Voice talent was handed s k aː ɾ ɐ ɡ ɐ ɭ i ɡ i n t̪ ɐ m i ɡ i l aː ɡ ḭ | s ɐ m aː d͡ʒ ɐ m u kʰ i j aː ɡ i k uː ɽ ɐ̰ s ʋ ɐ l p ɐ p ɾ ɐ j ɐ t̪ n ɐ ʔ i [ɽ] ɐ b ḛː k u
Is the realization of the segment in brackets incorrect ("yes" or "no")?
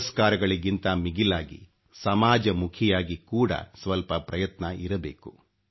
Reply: yes